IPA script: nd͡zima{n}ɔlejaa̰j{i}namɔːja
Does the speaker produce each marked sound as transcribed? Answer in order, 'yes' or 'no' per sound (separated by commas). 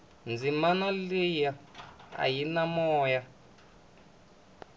yes, yes